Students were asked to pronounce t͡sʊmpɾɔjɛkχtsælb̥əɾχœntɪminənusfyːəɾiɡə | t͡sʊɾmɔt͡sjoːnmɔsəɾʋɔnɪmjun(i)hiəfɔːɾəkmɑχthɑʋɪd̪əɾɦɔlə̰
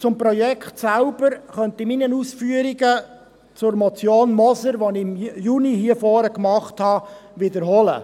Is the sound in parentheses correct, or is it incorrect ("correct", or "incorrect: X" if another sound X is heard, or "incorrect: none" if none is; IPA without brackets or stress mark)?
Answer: correct